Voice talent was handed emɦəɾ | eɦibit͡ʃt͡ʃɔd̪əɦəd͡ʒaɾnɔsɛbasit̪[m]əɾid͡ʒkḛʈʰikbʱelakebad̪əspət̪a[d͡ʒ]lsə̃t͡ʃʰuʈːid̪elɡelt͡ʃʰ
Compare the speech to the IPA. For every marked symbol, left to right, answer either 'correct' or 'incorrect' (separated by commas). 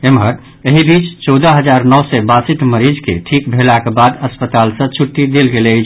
correct, incorrect